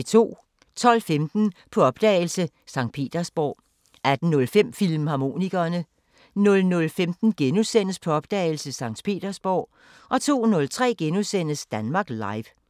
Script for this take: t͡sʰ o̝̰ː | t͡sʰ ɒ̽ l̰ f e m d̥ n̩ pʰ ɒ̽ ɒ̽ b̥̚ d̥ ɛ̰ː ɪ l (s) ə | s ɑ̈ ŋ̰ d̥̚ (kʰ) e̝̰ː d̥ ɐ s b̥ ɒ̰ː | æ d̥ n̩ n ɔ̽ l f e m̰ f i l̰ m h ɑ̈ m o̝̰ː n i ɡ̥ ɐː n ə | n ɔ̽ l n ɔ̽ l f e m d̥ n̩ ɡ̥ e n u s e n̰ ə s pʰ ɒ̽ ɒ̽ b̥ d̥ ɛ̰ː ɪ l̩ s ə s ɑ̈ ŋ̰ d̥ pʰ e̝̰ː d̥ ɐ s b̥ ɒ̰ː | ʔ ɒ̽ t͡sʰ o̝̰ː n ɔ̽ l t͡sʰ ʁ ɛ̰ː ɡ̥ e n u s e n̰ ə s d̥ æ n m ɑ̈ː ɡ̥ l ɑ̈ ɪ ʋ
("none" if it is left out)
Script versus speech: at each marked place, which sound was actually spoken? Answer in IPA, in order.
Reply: s, pʰ

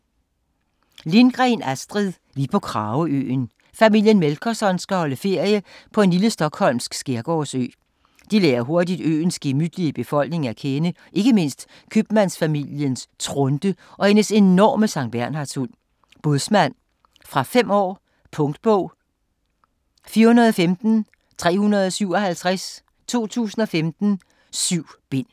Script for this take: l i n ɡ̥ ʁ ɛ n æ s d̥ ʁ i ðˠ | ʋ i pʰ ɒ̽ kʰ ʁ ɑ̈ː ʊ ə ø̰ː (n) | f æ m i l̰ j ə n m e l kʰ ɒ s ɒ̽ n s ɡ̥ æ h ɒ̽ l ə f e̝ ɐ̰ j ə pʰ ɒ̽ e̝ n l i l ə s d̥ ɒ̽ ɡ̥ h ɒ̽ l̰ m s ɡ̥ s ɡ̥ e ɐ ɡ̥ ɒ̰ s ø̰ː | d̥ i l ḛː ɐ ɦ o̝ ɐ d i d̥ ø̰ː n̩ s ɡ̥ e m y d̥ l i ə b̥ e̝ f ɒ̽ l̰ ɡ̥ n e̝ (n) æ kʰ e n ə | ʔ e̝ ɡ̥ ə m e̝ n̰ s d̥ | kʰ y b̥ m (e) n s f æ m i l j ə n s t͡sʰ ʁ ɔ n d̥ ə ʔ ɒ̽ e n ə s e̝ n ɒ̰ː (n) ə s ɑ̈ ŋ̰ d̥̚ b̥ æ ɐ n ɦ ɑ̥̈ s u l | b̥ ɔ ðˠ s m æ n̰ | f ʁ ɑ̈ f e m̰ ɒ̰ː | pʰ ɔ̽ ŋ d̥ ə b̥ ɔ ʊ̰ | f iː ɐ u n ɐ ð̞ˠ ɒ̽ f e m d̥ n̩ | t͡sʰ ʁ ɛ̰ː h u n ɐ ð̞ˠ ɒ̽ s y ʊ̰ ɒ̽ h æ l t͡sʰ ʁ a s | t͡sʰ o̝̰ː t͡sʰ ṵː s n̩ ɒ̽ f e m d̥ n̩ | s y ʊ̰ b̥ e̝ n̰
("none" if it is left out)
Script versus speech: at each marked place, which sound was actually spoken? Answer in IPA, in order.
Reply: n, ŋ, æ, m

